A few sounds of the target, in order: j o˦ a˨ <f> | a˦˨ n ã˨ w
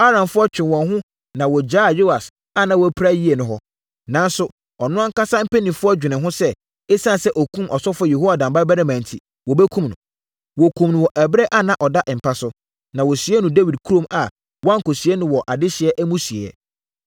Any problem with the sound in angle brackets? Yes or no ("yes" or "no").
yes